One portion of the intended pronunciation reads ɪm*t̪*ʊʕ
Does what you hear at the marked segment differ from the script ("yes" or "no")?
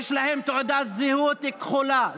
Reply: no